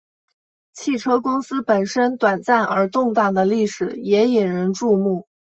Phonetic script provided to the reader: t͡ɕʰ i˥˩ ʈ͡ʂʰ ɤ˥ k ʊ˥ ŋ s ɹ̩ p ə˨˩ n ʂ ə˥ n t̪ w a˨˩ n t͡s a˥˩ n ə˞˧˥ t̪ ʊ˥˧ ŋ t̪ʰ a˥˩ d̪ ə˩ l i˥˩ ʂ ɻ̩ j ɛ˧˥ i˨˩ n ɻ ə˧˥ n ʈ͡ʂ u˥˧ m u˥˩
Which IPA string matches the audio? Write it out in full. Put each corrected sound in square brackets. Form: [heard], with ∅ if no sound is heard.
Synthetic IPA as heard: t͡ɕʰ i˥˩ ʈ͡ʂʰ ɤ˥ k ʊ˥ ŋ s ɹ̩ p ə˨˩ n ʂ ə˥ n t̪ w a˨˩ n t͡s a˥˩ n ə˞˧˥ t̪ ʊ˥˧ ŋ [t̪] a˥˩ d̪ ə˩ l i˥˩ ʂ ɻ̩ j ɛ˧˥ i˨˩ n ɻ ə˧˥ n ʈ͡ʂ u˥˧ m u˥˩